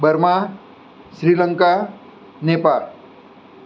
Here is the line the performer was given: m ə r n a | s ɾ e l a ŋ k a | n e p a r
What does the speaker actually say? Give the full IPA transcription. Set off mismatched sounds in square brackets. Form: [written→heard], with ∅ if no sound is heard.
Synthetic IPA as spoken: [m→b] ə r [n→m] a | s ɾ [e→i] l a ŋ k a | n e p a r